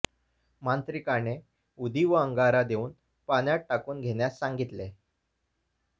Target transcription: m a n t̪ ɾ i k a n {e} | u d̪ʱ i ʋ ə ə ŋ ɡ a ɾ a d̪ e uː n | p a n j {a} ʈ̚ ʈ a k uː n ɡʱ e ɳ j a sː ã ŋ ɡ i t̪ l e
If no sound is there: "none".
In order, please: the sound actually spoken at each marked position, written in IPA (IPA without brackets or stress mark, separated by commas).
e, a